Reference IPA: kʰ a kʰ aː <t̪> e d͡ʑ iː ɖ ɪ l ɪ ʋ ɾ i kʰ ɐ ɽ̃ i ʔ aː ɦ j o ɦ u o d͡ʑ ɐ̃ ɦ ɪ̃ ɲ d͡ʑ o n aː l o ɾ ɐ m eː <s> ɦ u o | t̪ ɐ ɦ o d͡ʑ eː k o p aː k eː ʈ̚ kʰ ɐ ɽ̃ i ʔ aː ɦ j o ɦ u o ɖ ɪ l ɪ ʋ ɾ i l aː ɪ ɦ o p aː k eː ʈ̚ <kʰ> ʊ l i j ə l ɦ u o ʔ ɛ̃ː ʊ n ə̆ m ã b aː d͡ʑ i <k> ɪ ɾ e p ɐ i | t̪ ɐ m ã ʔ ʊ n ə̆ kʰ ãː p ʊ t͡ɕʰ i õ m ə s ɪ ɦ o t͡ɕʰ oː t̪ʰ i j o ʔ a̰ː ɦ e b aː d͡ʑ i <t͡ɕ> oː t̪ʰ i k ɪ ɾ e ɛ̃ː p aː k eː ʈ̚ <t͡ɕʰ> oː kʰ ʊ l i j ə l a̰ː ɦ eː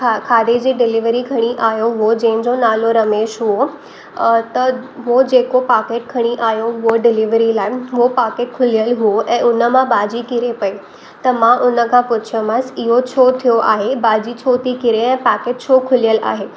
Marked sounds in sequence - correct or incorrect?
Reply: incorrect: d̪, incorrect: ʃ, correct, correct, incorrect: t͡ɕʰ, correct

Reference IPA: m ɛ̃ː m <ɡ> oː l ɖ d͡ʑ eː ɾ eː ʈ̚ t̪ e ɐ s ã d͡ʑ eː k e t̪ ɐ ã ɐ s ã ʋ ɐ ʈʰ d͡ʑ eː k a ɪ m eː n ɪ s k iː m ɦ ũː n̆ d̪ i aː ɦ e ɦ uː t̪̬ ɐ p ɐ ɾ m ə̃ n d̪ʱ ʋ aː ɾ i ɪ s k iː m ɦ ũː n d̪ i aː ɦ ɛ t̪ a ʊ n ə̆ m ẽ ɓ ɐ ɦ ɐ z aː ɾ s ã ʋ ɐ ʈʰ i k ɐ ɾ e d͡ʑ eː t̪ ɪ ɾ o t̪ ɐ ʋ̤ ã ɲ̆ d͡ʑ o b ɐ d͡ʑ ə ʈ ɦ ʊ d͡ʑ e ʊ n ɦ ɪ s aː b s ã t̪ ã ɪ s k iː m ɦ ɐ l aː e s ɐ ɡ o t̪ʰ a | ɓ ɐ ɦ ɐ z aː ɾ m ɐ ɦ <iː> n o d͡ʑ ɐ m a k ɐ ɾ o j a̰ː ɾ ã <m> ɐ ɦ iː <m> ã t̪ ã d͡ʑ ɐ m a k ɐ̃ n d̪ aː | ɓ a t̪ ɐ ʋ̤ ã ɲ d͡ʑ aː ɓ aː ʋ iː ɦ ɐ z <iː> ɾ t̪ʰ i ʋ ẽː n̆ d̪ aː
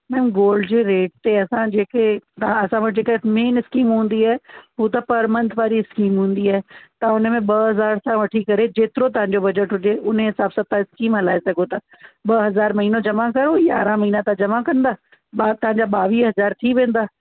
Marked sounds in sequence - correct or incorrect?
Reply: correct, correct, correct, incorrect: n, incorrect: aː

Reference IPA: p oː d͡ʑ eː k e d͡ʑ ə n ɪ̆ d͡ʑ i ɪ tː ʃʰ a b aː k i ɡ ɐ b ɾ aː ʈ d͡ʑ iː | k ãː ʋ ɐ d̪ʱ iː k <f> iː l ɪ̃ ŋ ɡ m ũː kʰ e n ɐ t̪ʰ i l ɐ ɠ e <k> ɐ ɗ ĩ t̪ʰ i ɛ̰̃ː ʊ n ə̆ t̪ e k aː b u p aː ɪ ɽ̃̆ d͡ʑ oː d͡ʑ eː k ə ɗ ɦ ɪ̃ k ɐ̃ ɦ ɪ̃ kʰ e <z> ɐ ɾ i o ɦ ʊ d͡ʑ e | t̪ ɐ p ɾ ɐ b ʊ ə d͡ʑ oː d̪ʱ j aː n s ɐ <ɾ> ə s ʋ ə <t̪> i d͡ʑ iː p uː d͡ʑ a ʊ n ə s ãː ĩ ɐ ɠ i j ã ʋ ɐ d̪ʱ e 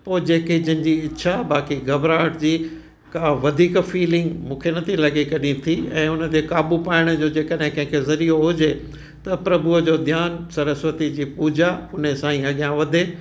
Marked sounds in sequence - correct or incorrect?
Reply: correct, correct, correct, correct, correct

